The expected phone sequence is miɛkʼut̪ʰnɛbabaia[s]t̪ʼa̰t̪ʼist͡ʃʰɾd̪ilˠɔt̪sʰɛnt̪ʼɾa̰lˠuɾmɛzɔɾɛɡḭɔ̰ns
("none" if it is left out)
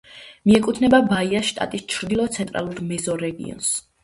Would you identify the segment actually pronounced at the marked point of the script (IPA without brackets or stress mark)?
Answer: ʃ